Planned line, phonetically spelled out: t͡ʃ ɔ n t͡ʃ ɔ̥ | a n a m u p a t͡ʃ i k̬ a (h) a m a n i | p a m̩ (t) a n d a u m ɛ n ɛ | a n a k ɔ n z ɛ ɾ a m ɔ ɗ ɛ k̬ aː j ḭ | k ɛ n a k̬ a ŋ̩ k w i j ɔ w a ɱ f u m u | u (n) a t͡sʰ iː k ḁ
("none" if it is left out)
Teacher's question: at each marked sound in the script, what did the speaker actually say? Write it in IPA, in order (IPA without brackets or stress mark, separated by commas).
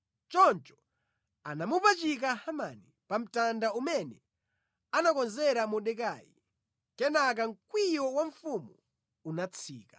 h, t, n